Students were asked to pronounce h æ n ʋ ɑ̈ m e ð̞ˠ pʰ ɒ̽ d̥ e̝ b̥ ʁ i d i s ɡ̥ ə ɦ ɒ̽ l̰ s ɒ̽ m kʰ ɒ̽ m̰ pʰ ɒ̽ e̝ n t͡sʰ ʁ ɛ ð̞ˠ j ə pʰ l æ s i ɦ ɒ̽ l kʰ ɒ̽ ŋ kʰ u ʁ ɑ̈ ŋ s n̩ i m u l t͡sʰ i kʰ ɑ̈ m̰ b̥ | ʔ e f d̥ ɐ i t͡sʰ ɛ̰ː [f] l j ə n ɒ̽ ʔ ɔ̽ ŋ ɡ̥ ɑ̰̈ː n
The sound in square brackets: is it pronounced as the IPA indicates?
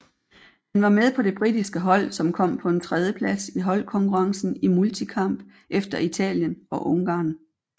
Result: no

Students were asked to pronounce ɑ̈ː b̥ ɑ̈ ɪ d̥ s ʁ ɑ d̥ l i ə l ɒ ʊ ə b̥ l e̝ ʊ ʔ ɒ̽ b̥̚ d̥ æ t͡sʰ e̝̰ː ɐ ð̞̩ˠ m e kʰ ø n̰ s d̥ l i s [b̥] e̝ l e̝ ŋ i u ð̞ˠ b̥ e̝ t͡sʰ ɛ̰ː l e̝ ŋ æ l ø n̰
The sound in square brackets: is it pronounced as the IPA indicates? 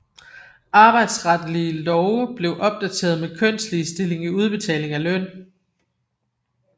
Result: no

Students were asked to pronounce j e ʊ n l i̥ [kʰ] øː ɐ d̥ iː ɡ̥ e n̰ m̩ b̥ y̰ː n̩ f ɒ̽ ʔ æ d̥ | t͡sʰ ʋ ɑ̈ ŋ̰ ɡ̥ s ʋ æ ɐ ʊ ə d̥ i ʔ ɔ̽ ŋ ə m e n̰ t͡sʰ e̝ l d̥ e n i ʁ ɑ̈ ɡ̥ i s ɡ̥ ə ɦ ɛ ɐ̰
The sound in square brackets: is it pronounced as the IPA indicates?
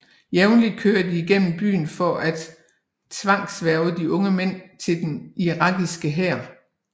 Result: yes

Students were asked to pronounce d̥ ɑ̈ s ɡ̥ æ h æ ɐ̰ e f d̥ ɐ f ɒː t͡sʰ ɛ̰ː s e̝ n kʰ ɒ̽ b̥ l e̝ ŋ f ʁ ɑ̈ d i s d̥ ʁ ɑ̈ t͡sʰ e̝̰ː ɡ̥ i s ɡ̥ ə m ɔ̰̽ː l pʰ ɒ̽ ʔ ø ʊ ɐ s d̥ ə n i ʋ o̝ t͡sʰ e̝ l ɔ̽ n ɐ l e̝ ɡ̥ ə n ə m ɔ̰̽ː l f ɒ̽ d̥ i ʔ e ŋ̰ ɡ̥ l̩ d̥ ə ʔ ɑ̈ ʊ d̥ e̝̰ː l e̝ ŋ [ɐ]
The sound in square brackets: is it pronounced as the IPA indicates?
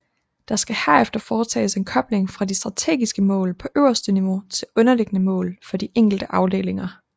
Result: yes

